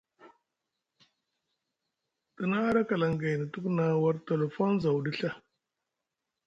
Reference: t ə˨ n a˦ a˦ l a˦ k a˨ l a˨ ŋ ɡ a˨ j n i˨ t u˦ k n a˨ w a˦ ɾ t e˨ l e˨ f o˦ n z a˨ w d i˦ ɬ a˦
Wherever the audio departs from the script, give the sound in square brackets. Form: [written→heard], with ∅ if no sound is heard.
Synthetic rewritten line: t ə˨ n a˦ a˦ [l→ɾ] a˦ k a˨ l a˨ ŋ ɡ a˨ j n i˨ t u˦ k n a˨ w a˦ ɾ t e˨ l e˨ f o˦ n z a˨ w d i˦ ɬ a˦